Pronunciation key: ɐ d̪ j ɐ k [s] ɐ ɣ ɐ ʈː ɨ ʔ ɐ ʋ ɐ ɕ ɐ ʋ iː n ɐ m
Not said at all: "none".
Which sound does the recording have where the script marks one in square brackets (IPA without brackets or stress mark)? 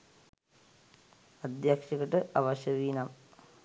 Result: ʂ